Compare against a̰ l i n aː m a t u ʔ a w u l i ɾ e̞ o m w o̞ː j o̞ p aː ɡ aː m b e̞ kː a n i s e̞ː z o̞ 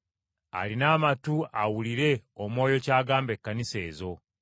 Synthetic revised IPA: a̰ l i n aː m a t u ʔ a w u l i ɾ e̞ o m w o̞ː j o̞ c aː ɡ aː m b e̞ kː a n i s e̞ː z o̞